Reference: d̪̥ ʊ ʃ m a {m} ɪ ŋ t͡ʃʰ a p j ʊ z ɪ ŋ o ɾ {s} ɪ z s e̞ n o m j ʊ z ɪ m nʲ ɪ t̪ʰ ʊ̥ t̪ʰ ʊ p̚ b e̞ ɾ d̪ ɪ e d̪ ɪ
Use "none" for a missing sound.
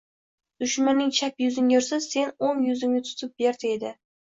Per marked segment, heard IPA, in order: n, s

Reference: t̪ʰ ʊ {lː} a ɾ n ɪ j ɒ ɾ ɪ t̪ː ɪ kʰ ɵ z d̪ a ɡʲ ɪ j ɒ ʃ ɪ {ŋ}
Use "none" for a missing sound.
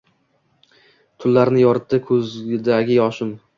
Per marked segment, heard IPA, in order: lː, m

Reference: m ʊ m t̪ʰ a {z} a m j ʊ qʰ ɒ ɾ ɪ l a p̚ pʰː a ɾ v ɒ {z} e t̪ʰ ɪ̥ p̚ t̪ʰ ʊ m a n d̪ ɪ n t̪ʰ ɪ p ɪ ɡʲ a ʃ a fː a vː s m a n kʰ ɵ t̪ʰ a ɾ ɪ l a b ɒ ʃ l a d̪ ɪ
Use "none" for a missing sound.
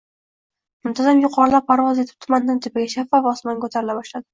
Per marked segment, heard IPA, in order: z, z

